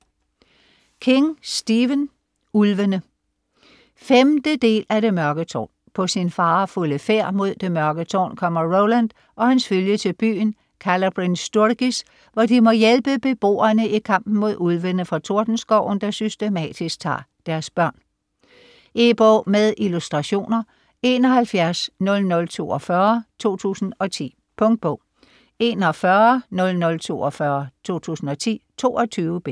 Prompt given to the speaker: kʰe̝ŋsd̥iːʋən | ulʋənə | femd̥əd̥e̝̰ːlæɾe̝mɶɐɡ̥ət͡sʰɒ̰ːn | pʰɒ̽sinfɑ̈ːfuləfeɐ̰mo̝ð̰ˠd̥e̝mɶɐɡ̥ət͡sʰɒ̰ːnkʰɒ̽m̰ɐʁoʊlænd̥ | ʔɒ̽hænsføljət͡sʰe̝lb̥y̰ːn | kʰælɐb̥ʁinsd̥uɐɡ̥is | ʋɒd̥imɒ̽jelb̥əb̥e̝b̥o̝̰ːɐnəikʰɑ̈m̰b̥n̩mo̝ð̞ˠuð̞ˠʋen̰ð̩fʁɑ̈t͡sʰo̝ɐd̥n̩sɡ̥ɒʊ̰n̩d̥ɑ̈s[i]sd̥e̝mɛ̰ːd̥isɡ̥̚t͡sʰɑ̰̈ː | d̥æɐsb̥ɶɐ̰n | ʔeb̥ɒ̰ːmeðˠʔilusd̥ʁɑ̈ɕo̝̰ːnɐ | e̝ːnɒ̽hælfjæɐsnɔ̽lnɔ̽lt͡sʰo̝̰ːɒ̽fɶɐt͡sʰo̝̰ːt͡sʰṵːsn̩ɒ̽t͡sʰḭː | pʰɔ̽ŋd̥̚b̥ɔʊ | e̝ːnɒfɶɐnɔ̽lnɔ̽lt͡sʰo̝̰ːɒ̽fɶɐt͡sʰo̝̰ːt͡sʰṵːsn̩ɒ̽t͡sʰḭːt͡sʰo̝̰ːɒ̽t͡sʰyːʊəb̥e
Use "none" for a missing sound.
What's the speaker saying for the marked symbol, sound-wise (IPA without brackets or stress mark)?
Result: y